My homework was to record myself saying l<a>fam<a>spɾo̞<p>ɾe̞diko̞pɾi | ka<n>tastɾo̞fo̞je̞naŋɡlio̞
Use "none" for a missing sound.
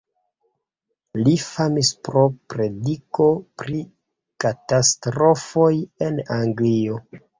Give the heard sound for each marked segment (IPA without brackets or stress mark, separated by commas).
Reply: i, i, p, none